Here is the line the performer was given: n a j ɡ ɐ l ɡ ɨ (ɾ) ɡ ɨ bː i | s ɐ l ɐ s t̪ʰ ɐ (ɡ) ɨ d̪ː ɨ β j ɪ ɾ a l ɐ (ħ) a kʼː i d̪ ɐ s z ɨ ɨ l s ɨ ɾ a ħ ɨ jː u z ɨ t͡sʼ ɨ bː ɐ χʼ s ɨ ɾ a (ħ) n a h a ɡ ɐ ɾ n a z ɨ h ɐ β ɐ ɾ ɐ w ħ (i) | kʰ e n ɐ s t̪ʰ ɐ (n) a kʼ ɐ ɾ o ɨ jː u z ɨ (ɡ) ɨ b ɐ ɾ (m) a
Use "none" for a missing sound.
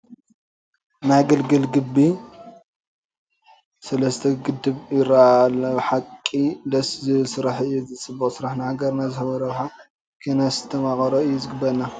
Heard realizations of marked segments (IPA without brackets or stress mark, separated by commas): l, ɡ, ħ, ħ, a, m, ɡ, n